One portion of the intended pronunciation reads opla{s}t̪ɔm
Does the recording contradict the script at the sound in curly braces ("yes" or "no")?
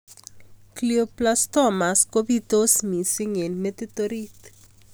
no